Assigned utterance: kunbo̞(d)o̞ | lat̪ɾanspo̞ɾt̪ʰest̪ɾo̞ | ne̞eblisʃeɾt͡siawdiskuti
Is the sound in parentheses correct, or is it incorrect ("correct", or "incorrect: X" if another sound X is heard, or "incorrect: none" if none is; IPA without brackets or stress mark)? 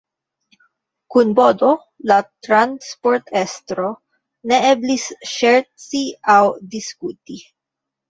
correct